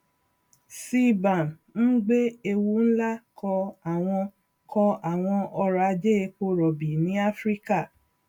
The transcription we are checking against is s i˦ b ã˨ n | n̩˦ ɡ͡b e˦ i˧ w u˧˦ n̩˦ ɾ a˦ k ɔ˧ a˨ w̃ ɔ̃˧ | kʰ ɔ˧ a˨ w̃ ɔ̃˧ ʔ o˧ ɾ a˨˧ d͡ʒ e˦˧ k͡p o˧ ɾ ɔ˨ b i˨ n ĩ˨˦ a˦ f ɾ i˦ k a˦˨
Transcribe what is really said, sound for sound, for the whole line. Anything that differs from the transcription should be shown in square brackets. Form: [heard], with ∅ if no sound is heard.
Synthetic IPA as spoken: s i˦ b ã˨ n | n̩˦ ɡ͡b e˦ [e˧] w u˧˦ n̩˦ [l] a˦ k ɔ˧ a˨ w̃ ɔ̃˧ | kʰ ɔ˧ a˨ w̃ ɔ̃˧ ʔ [ɔ˧] ɾ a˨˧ d͡ʒ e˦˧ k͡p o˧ ɾ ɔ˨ b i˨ n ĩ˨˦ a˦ f ɾ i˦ k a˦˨